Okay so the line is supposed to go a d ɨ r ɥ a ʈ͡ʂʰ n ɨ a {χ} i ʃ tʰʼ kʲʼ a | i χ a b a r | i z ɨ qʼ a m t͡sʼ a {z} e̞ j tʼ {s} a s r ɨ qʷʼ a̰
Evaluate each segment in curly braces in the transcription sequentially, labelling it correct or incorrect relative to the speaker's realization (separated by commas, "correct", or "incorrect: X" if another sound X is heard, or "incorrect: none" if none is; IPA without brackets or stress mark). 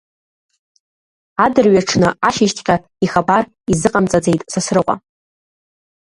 incorrect: ʃ, incorrect: d͡z, correct